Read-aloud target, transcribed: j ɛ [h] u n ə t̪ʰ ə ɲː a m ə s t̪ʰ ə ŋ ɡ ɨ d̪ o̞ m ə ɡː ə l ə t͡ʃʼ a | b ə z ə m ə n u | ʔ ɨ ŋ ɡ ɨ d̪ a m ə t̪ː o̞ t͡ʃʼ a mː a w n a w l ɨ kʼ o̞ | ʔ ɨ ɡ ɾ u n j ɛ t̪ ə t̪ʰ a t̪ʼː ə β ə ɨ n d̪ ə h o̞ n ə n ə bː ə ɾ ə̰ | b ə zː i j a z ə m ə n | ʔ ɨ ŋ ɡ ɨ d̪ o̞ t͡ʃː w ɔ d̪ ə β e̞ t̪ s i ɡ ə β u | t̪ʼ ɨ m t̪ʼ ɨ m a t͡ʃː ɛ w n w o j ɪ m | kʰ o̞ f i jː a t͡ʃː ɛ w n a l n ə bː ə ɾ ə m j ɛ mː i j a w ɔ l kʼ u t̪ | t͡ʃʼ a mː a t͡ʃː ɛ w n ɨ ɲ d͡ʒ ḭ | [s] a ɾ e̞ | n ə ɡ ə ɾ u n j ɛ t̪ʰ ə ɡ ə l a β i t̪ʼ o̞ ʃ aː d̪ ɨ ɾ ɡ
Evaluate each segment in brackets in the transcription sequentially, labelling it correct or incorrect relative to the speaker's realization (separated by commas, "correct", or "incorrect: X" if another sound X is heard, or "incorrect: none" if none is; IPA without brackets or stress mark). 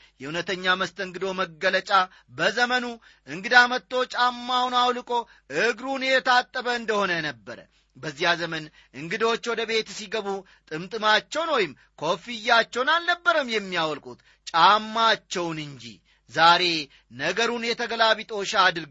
correct, incorrect: z